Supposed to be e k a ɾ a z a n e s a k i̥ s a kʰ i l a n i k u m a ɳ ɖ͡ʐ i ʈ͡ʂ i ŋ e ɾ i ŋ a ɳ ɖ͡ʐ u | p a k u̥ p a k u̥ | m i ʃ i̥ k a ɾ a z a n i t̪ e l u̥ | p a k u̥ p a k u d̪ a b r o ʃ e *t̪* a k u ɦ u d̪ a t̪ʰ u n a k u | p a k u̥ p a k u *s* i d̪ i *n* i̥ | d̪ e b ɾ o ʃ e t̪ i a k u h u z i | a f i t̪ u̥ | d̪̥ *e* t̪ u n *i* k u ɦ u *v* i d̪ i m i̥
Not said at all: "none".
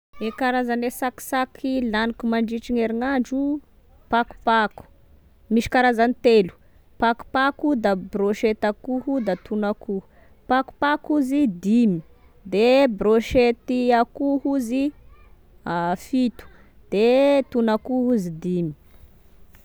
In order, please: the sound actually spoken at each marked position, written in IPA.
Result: t̪, z, m, e, a, z

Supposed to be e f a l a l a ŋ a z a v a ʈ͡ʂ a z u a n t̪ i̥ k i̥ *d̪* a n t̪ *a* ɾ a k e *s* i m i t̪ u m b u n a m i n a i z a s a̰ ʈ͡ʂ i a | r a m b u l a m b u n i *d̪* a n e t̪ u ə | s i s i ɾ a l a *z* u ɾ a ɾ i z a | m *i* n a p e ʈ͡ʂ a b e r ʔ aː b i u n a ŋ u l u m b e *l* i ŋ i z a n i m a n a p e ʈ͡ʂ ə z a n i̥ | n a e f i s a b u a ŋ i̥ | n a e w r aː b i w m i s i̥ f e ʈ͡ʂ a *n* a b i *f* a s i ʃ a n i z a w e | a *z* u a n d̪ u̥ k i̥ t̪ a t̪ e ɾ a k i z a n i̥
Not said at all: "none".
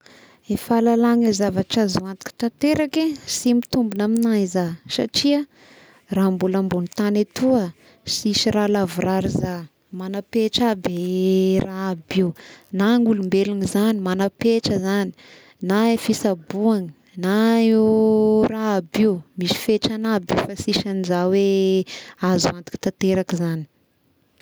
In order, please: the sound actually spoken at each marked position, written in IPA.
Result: t̪, e, s, t̪, v, a, l, n, f, z

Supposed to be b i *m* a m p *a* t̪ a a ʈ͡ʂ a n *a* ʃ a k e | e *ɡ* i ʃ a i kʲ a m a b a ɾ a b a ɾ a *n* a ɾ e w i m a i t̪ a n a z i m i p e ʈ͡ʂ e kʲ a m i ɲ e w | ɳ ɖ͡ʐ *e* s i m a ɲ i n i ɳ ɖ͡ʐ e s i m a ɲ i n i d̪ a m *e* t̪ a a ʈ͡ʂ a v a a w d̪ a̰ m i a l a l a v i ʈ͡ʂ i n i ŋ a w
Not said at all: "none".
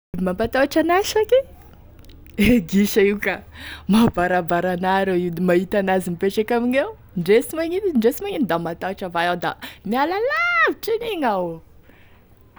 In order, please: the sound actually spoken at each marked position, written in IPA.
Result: m, a, a, ɡ, n, e, a

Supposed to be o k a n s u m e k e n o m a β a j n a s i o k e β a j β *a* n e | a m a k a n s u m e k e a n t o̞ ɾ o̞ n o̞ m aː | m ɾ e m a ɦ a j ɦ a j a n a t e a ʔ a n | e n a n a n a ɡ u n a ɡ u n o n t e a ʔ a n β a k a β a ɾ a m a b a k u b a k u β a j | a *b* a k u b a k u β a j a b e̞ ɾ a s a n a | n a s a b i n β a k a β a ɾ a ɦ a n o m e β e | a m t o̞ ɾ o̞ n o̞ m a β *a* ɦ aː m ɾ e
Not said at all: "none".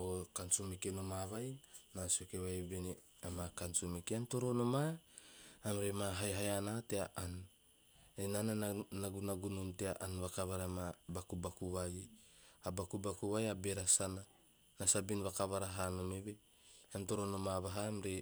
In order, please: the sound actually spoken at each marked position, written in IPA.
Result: e, b, a

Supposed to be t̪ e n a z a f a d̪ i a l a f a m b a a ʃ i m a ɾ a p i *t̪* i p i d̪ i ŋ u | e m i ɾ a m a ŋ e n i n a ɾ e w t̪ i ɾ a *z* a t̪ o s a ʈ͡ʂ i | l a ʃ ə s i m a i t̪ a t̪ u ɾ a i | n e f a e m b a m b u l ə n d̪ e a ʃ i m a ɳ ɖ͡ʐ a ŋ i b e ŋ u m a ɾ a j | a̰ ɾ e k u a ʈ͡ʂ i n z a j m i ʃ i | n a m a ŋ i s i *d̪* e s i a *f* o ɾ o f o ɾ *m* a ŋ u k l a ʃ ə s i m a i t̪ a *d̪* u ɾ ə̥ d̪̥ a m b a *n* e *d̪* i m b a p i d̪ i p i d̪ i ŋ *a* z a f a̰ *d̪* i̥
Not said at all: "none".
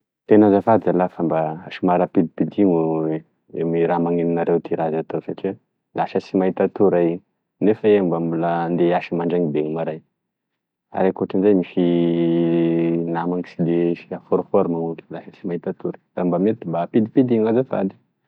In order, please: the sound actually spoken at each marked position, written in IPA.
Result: d̪, z, d̪, f, m, t̪, m, t̪, a, d̪

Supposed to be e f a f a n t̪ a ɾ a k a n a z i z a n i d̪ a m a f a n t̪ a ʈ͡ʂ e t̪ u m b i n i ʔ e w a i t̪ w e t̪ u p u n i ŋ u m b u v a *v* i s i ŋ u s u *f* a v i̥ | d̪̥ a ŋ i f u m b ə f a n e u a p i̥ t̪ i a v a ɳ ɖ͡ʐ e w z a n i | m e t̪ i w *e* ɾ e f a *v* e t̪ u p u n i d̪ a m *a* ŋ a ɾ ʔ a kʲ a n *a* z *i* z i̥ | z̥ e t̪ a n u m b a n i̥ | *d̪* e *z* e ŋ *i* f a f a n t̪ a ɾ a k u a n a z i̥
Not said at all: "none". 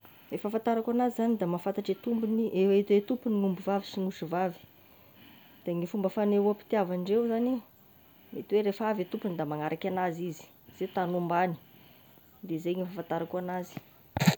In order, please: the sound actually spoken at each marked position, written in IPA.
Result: v, v, e, v, a, a, i, d̪, z, i

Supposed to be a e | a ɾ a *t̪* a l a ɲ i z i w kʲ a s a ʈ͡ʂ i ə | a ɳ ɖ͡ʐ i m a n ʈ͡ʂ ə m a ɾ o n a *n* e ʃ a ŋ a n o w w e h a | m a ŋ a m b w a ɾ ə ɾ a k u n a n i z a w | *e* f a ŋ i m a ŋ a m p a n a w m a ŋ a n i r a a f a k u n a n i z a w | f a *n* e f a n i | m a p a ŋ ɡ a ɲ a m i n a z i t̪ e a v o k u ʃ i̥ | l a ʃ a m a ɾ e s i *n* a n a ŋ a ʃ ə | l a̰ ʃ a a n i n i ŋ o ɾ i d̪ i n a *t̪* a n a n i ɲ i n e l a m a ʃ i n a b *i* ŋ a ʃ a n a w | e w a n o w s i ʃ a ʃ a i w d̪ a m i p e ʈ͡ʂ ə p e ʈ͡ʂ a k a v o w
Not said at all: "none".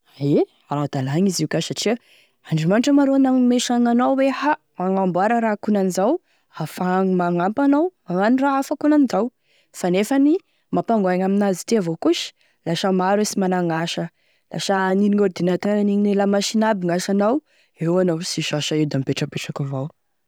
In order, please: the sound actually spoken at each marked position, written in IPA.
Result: d̪, m, a, n, m, t̪, i

